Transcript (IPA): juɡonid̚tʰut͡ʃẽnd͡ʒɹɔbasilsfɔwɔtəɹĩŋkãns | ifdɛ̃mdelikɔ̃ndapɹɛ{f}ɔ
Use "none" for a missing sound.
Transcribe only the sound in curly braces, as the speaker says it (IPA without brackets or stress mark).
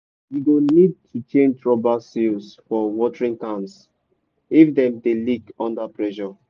ʃ